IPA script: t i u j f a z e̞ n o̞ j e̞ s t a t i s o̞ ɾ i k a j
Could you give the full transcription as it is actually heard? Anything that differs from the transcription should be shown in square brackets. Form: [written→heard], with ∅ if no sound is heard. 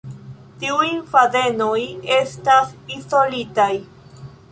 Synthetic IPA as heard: t i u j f a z e̞ n o̞ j e̞ s t a [t→s] i s o̞ [ɾ→l] i [k→t] a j